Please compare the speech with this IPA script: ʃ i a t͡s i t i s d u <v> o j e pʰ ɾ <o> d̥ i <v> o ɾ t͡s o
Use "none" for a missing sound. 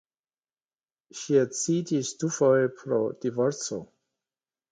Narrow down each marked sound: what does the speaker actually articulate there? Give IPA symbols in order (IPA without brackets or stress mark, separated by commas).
f, o, v